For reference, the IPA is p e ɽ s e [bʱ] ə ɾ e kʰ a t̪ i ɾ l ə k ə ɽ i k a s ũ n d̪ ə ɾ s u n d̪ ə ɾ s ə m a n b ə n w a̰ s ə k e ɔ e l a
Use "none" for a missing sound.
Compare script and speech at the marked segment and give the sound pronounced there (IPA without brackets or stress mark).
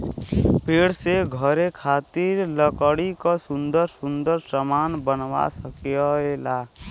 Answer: ɡʱ